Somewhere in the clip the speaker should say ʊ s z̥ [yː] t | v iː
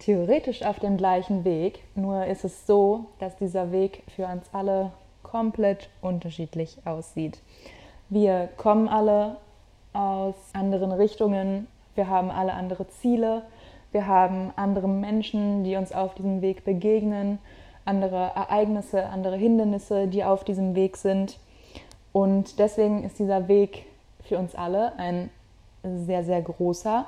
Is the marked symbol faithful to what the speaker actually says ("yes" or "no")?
no